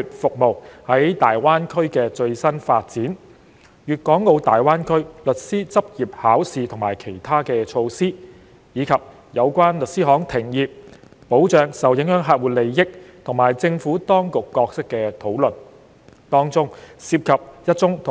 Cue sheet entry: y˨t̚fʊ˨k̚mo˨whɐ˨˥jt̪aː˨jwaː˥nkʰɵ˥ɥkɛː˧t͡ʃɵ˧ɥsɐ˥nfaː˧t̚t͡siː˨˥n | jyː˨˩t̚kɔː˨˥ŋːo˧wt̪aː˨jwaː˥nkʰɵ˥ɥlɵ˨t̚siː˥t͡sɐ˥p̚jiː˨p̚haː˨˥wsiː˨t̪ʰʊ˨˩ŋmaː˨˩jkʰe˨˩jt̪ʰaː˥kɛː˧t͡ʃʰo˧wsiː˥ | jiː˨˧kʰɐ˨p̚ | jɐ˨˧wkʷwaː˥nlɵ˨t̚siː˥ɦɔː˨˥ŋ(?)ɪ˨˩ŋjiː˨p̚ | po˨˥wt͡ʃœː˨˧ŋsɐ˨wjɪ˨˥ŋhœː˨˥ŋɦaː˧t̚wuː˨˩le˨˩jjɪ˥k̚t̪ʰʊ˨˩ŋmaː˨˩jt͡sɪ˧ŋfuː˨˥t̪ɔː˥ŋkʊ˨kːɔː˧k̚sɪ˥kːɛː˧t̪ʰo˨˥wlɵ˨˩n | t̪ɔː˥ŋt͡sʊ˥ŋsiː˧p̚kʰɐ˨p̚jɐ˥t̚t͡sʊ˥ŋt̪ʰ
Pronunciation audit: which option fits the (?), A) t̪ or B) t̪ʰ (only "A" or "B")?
B